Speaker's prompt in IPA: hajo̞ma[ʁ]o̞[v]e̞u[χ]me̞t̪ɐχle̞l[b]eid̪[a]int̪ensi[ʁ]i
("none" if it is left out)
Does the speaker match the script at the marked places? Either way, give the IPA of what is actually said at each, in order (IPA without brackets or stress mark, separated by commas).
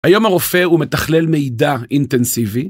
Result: ʁ, f, none, m, a, v